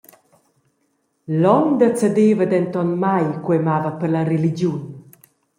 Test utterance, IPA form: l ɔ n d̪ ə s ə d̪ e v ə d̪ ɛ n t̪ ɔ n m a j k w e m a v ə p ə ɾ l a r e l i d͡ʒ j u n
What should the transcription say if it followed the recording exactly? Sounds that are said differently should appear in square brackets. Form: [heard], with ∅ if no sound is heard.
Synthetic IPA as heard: l ɔ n d̪ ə [t͡s] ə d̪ e v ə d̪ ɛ n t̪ ɔ n m a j k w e m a v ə p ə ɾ l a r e l i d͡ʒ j u n